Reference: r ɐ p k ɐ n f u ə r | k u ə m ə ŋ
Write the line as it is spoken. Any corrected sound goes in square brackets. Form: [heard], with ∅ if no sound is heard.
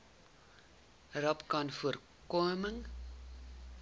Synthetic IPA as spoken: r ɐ p k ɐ n f u ə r | k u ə m ə ŋ